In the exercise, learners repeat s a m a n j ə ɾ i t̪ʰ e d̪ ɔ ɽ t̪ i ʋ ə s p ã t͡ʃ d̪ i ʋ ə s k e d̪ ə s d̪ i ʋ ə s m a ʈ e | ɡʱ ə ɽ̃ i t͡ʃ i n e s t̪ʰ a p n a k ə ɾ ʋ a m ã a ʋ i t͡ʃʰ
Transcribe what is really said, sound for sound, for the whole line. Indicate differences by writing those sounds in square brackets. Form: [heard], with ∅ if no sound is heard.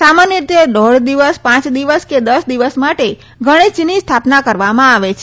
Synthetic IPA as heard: s a m a n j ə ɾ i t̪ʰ e d̪ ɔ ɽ [d̪] i ʋ ə s p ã t͡ʃ d̪ i ʋ ə s k e d̪ ə s d̪ i ʋ ə s m a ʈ e | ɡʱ ə ɽ̃ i t͡ʃ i n [i] s t̪ʰ a p n a k ə ɾ ʋ a m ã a ʋ [e] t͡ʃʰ